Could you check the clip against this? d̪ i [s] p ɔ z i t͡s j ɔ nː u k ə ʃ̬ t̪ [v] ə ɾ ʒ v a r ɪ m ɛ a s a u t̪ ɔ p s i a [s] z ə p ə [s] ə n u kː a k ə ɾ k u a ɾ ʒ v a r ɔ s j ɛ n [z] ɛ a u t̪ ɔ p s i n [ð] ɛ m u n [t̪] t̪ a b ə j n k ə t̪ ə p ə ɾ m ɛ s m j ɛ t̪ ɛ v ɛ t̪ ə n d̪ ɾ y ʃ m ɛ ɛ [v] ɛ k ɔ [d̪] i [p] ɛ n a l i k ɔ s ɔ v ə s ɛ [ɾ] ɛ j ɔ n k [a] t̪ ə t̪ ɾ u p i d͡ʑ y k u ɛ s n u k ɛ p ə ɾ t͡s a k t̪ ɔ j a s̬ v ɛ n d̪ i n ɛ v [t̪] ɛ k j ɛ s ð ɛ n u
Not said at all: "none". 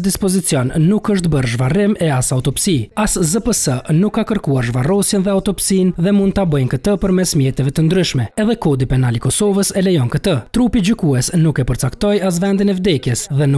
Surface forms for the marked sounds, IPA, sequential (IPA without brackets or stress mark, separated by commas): s, b, s, s, ð, ð, d̪, ð, d̪, p, l, ə, d̪